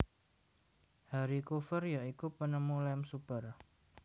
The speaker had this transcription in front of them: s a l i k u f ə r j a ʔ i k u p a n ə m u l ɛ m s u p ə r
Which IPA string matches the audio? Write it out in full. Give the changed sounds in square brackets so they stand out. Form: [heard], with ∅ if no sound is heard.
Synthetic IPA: [h] a [ɾ] i k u f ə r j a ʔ i k u p [ə] n ə m u l ɛ m s u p ə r